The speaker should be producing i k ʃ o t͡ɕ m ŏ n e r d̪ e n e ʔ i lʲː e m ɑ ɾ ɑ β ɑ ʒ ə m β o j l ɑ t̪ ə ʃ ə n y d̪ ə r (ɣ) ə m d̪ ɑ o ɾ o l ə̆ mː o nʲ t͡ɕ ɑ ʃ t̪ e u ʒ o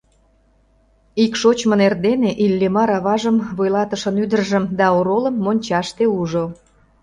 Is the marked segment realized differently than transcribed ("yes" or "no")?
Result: yes